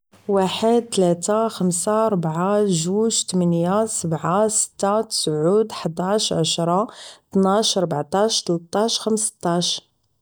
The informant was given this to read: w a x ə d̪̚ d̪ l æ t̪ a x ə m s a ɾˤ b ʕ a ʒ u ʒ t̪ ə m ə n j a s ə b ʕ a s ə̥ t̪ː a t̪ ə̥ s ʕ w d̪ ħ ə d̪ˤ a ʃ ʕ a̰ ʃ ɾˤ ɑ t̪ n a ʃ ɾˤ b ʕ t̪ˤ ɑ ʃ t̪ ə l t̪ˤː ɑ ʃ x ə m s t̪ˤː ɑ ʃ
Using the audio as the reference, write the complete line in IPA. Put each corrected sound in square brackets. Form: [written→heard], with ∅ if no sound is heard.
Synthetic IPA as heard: w a [x→ħ] ə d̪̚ [d̪→t̪] l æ t̪ a x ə m s a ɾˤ b ʕ a ʒ u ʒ t̪ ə m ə n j a s ə b ʕ a s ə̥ t̪ː a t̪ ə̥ s ʕ [w→u] d̪ ħ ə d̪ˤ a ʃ ʕ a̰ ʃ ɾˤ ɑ t̪ n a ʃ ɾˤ b ʕ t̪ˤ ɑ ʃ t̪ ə l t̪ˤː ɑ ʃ x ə m s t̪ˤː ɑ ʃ